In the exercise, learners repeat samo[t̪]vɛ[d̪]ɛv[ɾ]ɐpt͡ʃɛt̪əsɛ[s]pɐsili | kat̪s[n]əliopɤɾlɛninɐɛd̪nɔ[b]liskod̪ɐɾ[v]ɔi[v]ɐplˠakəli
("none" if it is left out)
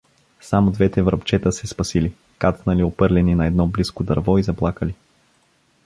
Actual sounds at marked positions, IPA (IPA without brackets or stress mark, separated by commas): d̪, t̪, ɾ, s, n, b, v, z